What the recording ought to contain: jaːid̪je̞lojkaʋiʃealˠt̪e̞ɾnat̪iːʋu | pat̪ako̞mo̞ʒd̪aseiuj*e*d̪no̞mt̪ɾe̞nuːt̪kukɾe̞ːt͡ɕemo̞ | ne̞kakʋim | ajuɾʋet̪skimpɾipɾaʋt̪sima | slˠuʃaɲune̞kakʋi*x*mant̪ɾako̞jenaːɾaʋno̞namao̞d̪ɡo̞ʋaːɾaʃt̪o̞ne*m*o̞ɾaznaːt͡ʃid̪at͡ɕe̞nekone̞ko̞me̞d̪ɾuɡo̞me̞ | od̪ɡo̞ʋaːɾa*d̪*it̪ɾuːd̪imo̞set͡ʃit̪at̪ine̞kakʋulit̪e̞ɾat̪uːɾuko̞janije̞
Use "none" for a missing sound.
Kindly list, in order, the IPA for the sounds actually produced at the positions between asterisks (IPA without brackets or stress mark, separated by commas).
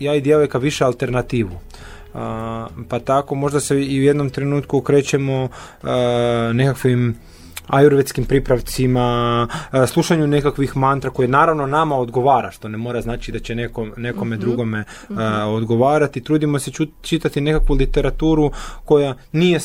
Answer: e, x, m, t̪